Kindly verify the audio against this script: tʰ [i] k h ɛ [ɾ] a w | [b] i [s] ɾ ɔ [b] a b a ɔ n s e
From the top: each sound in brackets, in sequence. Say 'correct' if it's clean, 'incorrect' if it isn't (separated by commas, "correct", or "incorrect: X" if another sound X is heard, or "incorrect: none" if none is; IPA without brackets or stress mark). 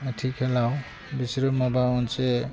correct, incorrect: l, correct, correct, incorrect: m